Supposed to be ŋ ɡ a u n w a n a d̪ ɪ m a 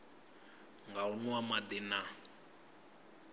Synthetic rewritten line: ŋ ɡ a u n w a m a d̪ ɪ n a

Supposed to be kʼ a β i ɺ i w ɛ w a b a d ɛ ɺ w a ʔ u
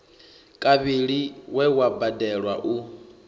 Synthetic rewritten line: kʼ a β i ɺ i w ɛ w a b a d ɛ ɺ w a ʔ u

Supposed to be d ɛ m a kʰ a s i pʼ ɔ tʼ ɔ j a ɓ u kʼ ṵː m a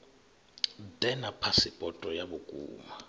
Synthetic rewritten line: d ɛ n a pʰ a s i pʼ ɔ tʼ ɔ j a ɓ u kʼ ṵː m a

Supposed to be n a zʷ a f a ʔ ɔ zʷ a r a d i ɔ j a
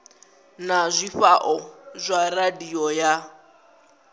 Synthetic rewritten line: n a zʷ i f a ʔ ɔ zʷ a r a d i ɔ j a

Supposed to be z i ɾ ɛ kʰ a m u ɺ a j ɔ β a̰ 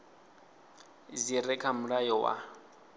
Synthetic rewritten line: z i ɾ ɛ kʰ a m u ɺ a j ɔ w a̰

